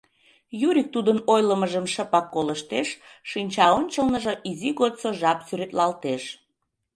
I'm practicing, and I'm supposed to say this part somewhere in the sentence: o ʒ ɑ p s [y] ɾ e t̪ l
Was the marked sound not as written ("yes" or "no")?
no